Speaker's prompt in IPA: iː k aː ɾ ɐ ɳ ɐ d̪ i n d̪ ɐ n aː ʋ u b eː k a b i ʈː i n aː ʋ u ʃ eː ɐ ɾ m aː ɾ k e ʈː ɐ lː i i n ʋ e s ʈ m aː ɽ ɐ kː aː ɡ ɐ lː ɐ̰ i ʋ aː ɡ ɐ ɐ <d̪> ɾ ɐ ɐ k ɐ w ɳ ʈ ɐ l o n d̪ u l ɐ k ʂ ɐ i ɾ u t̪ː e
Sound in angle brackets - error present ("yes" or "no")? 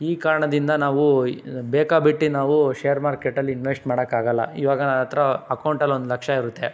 yes